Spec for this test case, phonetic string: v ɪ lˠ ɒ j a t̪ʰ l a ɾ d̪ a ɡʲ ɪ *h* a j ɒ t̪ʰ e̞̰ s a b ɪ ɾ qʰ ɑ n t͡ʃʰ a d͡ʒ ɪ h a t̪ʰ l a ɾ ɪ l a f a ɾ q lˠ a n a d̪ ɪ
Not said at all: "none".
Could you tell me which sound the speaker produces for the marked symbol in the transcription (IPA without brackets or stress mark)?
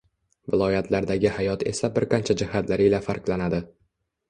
h